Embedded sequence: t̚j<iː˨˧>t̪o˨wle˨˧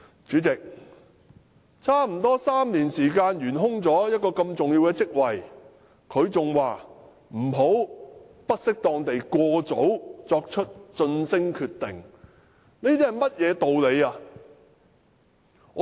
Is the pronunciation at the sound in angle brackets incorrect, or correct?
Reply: incorrect